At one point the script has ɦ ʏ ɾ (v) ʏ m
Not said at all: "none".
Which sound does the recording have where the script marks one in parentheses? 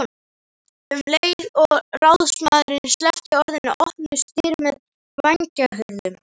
ð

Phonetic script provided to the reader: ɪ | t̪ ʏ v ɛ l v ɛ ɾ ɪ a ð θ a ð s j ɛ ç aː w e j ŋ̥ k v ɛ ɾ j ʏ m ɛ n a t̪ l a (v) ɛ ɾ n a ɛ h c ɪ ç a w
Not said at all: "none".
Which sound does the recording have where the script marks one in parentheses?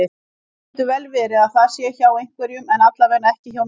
v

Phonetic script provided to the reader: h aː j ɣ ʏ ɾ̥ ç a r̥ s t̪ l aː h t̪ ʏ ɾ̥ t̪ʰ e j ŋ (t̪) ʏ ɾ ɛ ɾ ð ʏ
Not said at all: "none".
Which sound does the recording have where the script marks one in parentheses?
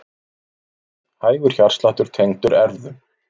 t̪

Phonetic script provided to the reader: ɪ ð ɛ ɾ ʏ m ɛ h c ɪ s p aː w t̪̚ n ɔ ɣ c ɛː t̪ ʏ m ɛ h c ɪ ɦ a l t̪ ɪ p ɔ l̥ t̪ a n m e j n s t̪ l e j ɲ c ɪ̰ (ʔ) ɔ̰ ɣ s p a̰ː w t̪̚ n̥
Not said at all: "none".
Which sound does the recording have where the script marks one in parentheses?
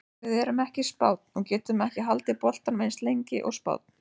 ʔ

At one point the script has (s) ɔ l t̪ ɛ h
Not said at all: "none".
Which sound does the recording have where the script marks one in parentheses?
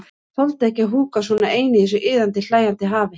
θ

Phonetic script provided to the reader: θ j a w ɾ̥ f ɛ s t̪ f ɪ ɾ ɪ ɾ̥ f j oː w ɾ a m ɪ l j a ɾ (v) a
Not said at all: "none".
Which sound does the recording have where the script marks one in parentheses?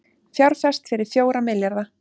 ð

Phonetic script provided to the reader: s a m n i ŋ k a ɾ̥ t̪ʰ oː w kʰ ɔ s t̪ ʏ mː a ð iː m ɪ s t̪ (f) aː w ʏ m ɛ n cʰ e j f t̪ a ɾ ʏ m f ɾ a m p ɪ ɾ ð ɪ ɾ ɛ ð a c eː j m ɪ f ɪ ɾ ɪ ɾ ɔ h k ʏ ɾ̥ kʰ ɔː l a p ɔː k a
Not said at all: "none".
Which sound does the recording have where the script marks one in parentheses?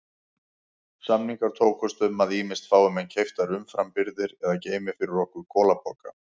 f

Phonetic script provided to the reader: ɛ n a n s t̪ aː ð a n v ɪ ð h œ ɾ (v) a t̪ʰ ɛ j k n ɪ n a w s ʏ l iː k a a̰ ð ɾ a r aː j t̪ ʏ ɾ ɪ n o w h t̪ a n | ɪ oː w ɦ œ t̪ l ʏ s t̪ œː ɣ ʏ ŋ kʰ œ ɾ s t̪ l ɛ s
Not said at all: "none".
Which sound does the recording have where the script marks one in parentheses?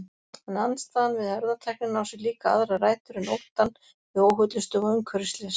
ð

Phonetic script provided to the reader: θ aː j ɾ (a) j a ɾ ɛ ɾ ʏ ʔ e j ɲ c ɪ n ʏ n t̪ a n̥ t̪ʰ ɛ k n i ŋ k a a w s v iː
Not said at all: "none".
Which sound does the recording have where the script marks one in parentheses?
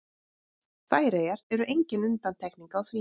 e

